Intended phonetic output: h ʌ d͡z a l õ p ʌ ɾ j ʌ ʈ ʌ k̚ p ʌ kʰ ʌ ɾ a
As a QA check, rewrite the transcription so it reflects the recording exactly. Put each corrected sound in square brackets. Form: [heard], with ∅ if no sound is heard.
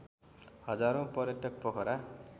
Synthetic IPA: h ʌ d͡z a [ɾ] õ p ʌ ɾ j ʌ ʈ ʌ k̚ p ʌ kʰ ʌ ɾ a